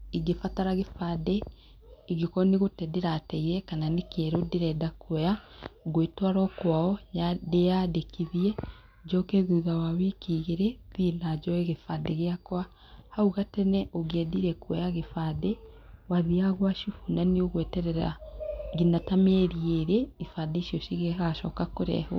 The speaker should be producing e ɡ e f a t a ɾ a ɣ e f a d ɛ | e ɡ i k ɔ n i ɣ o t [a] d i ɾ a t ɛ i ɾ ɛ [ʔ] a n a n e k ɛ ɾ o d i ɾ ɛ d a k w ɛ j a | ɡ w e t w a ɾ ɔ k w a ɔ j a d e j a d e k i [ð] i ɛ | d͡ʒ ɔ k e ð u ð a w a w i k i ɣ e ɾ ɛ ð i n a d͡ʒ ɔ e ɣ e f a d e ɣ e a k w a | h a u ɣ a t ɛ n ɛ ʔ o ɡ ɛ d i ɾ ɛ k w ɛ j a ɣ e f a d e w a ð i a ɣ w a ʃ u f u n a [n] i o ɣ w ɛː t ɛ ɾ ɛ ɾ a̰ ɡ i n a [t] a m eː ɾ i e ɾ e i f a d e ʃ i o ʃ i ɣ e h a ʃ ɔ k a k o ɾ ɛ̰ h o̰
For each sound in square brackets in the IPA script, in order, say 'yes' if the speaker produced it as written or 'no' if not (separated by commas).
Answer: no, no, yes, yes, yes